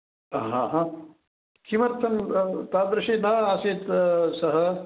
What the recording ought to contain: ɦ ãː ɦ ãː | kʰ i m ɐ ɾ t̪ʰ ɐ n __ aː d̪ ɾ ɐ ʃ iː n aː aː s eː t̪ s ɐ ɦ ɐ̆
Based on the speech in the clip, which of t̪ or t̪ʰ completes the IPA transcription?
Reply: t̪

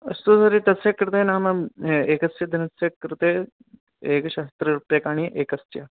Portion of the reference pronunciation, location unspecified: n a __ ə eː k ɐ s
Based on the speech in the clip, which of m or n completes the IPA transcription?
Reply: m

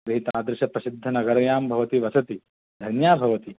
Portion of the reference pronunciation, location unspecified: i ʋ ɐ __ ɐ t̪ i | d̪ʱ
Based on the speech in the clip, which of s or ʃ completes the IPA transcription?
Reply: s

